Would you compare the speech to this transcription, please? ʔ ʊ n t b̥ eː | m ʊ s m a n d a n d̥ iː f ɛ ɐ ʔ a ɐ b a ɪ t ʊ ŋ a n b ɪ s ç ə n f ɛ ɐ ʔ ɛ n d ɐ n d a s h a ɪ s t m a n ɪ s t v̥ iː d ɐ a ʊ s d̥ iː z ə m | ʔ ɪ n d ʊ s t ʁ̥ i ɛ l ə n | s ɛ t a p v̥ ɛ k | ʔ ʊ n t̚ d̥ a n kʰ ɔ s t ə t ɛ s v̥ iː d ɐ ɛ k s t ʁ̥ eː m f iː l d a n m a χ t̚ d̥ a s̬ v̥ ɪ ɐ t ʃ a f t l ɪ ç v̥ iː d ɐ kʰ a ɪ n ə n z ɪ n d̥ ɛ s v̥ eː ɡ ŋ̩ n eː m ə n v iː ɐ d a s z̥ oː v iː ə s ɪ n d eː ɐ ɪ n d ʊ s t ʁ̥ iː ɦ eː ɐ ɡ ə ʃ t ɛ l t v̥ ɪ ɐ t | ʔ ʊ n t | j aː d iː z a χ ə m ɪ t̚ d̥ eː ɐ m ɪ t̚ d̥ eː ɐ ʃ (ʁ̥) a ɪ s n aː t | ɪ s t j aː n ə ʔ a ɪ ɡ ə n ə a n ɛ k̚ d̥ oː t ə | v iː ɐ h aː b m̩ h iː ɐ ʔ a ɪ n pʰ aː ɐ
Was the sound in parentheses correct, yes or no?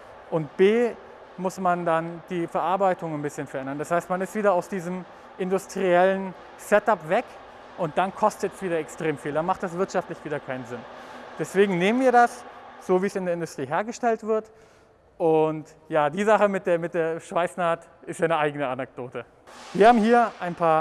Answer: no